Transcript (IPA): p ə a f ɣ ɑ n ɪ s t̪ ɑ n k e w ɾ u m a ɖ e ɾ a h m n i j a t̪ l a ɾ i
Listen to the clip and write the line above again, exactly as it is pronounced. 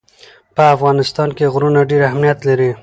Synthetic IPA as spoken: p ə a f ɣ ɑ n ɪ s t̪ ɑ n k e ɣ ɾ u n a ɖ e ɾ a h m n i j a t̪ l a ɾ i